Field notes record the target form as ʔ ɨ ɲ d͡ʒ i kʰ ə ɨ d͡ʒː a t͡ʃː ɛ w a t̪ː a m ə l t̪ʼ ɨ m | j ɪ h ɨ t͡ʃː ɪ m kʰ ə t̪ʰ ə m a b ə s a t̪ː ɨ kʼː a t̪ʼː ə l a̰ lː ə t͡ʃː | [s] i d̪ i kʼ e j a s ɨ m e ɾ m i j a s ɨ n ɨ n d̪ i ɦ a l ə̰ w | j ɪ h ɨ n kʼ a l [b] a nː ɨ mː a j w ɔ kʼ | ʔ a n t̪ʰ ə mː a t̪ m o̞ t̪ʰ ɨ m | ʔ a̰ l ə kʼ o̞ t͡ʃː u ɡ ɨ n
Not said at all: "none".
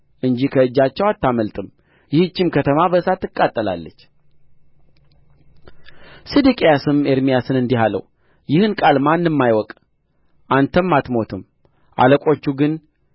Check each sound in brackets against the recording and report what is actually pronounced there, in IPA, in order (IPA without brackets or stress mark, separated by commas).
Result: s, m